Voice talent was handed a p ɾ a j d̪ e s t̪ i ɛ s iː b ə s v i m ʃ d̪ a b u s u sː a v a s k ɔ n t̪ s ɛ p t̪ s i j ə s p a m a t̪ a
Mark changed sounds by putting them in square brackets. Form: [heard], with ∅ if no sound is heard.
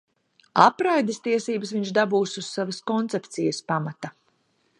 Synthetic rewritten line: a p ɾ a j d̪ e s t̪ i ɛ s iː b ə s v i [ɲ] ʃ d̪ a b [uː] s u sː a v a s k ɔ n t̪ s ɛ p t̪ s i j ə s p a m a t̪ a